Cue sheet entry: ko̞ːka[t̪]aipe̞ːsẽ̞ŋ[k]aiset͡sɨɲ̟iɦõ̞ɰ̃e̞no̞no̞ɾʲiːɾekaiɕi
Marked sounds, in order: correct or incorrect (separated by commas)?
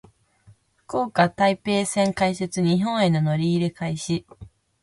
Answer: correct, correct